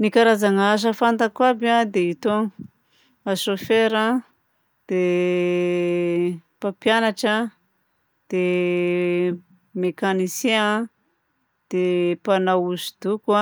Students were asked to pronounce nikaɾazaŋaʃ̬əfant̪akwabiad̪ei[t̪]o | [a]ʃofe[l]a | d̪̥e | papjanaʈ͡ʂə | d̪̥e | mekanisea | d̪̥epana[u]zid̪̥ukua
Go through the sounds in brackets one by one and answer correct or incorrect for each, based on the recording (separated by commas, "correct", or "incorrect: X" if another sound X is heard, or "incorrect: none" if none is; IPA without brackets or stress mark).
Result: correct, correct, incorrect: ɾ, correct